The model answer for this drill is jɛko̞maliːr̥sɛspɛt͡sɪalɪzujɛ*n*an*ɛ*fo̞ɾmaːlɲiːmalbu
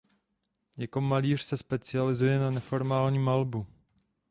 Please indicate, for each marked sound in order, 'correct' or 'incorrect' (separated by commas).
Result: correct, correct